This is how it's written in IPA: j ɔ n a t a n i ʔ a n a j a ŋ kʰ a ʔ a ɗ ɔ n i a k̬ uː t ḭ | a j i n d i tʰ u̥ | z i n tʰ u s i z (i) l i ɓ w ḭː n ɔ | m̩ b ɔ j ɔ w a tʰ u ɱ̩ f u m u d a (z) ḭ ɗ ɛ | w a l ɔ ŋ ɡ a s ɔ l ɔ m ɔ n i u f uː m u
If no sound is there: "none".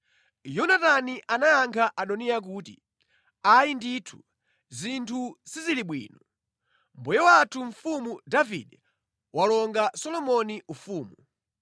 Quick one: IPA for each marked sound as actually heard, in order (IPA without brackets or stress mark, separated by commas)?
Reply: i, v